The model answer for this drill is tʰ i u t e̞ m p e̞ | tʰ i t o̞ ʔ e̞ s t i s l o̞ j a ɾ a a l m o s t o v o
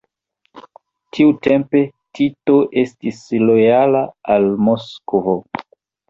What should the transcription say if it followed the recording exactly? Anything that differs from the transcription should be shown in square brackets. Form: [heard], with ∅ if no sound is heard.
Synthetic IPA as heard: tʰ i u t e̞ m p e̞ | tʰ i t o̞ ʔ e̞ s t i s l o̞ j a [l] a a l m o s [k] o v o